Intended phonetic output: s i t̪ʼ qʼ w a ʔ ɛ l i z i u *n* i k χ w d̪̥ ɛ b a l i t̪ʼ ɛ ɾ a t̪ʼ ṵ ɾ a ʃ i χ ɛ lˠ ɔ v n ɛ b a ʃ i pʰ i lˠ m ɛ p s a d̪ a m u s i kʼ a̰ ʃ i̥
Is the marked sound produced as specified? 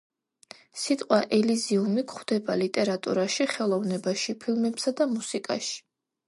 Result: no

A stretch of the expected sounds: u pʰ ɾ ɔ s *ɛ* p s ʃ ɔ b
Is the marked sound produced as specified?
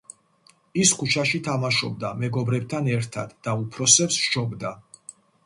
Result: yes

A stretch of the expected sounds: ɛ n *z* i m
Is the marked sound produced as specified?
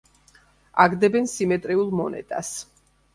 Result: no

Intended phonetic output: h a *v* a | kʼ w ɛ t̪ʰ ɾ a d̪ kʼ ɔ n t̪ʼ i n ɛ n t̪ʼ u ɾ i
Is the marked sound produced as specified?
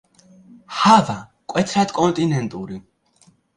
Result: yes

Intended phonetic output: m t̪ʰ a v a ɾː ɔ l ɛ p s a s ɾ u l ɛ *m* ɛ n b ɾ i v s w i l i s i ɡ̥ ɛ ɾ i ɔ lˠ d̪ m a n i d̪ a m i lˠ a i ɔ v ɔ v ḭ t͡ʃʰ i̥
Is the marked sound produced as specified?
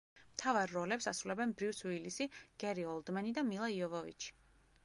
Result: no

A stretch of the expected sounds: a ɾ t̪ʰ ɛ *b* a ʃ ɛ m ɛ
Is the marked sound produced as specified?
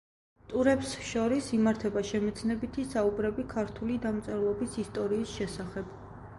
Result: yes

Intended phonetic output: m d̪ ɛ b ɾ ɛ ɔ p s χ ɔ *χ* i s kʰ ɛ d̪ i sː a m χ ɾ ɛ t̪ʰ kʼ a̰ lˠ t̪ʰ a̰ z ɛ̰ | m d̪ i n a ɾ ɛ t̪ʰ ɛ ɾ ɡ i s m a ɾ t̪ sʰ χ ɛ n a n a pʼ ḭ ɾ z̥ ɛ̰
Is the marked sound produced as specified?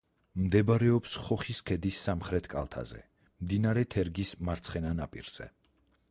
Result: yes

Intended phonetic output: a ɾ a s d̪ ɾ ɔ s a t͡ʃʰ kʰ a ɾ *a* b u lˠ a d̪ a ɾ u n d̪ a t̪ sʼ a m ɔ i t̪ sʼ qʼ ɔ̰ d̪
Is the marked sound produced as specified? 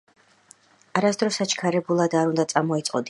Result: no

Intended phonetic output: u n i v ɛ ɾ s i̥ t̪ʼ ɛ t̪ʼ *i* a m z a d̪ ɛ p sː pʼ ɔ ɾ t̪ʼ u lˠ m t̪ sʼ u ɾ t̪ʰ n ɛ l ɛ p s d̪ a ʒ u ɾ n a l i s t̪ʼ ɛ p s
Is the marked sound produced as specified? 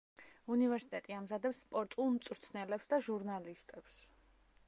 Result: yes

